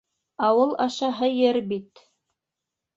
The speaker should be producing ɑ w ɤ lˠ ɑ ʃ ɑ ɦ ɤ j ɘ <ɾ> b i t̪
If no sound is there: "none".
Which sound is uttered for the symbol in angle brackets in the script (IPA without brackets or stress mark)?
ɾ